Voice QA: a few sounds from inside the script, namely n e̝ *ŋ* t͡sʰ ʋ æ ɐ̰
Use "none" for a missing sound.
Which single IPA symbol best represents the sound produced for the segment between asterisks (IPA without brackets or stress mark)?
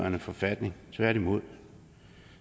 ŋ